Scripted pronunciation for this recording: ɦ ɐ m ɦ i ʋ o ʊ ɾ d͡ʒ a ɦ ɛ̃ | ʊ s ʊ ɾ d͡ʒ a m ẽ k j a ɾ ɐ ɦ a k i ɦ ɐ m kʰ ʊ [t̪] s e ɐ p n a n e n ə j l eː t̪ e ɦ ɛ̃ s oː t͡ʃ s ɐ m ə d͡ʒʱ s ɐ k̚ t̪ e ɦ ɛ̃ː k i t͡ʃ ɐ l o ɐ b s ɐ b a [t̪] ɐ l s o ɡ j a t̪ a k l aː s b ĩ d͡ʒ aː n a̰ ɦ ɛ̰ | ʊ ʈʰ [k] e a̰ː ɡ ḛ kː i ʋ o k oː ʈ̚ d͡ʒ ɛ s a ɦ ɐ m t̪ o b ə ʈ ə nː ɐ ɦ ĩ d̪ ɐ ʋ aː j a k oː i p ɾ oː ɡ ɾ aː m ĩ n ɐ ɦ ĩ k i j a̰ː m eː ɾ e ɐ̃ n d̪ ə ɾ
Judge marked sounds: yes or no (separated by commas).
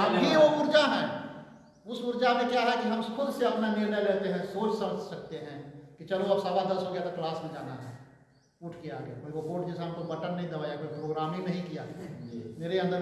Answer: no, no, yes